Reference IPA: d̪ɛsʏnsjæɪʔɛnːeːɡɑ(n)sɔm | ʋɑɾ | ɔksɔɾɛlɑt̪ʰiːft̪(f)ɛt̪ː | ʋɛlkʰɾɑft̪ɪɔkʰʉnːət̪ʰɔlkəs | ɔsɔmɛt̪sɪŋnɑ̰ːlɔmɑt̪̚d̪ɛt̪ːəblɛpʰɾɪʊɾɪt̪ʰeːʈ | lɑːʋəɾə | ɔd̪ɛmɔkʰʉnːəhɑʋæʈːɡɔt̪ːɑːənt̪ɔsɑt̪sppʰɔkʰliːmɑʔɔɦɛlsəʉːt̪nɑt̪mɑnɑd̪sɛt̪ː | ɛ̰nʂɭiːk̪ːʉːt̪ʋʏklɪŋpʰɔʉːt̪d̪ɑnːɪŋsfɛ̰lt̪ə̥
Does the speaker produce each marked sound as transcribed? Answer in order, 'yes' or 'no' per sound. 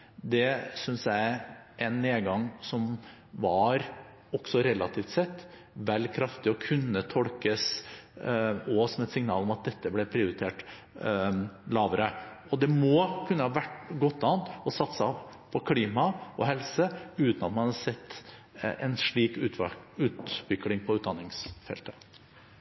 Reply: no, no

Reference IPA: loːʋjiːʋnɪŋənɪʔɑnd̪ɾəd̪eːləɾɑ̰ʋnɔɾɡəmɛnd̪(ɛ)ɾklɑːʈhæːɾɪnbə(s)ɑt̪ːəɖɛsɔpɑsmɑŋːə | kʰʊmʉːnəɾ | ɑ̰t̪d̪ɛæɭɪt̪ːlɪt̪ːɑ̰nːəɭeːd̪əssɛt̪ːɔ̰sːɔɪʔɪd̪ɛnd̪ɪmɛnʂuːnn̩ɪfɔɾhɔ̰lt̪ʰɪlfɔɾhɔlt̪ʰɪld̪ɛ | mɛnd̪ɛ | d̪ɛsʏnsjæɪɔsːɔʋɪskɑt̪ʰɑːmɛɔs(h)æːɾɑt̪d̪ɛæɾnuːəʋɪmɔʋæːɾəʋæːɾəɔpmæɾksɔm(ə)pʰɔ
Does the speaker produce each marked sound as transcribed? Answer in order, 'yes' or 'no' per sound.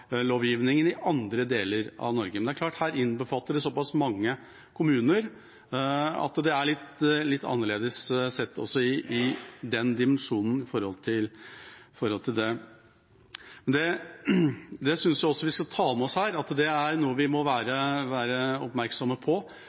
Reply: no, no, yes, yes

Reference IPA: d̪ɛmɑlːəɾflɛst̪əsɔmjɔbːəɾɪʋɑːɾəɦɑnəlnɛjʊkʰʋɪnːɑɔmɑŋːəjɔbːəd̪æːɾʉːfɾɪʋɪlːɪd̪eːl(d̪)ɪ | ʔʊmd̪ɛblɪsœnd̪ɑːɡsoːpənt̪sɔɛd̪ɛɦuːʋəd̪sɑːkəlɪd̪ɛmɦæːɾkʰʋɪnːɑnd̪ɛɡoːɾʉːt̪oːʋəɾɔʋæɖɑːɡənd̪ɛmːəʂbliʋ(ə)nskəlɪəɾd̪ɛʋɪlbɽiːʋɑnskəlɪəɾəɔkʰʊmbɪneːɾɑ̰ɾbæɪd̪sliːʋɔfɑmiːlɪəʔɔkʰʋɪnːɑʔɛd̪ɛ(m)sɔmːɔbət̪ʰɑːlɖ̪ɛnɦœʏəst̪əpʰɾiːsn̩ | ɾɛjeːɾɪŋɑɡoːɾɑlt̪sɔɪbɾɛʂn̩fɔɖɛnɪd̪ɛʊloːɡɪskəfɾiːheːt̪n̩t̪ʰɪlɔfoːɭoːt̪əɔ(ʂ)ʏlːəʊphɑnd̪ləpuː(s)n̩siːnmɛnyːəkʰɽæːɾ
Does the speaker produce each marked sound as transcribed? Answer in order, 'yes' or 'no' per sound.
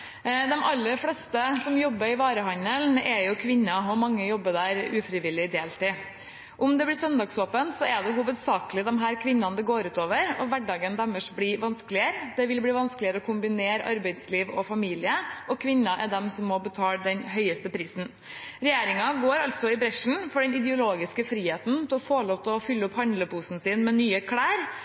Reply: no, no, yes, no, yes

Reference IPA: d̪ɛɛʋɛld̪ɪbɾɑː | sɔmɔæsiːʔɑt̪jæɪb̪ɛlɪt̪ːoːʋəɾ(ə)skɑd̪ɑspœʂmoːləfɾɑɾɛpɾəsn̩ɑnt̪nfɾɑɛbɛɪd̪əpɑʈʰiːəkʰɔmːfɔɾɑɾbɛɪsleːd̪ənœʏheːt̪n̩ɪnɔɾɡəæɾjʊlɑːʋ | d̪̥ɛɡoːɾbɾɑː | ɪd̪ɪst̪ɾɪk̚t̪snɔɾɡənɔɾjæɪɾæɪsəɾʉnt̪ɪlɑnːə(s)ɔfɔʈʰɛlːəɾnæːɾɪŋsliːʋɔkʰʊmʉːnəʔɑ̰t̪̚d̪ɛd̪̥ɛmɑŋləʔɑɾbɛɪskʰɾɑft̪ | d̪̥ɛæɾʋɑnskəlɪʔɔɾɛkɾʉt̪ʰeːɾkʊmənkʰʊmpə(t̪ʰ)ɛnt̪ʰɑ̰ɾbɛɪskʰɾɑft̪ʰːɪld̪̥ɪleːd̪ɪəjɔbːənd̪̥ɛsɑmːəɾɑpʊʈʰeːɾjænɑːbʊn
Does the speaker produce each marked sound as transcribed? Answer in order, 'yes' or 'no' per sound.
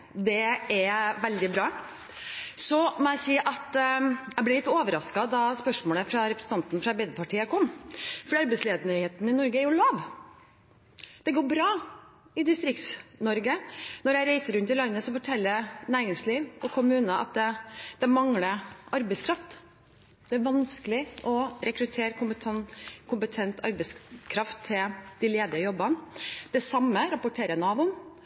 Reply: no, yes, yes

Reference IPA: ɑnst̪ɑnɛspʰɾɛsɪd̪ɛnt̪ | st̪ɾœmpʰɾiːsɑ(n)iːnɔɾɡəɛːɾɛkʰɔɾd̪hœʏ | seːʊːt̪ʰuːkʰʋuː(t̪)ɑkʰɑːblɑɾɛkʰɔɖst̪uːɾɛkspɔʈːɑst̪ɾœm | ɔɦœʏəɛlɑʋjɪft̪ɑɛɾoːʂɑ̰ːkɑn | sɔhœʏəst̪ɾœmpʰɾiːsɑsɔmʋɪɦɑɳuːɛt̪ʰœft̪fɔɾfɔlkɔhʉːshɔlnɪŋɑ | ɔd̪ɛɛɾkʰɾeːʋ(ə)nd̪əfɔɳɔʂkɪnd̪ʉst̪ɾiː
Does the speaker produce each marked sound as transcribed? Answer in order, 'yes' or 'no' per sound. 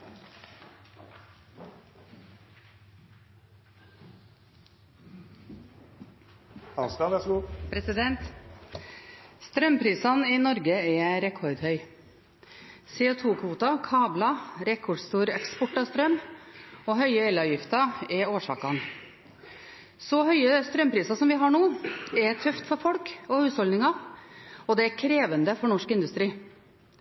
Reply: yes, yes, yes

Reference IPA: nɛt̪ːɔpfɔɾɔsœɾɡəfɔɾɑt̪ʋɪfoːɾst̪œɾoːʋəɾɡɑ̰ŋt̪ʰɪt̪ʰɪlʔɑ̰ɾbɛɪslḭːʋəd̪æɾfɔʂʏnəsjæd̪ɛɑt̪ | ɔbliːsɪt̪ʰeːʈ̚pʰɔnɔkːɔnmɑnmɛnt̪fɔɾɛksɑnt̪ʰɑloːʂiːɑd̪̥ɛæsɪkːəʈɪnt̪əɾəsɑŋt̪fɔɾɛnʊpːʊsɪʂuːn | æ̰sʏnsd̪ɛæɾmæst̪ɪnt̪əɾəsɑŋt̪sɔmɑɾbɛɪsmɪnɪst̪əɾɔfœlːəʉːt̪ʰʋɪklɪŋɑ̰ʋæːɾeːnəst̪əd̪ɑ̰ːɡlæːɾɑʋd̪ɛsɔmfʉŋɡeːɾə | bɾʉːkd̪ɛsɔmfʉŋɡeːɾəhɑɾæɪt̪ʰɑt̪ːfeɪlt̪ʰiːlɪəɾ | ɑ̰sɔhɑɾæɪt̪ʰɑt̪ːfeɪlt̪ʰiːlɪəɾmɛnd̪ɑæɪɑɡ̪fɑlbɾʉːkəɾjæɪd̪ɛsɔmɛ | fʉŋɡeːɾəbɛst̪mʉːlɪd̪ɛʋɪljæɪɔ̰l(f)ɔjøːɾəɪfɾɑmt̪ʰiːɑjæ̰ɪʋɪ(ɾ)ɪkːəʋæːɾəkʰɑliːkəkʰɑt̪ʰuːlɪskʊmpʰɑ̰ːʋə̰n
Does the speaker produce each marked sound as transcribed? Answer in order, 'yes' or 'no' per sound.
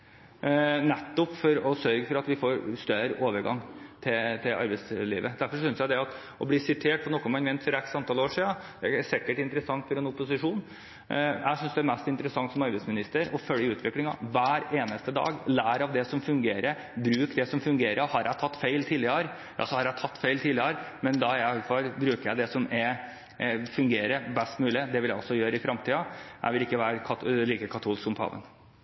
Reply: no, no

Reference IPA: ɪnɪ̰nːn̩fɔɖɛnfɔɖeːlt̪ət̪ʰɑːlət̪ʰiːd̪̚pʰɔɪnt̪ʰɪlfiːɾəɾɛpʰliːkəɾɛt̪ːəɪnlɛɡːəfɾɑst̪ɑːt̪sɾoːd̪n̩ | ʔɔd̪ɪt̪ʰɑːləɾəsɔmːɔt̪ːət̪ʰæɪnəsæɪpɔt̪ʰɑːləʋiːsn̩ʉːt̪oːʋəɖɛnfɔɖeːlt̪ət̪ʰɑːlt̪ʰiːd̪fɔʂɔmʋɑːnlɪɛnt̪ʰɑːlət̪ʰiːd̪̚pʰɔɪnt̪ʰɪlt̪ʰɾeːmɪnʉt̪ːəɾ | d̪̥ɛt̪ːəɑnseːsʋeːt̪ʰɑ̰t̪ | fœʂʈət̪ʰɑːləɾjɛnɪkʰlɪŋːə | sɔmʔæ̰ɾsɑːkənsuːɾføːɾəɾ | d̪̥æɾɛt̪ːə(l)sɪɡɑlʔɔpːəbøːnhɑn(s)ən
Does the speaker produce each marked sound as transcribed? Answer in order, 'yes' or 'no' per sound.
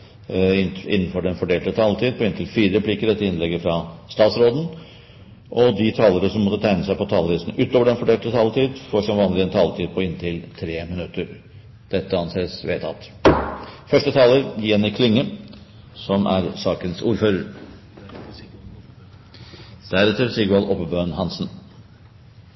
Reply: no, yes

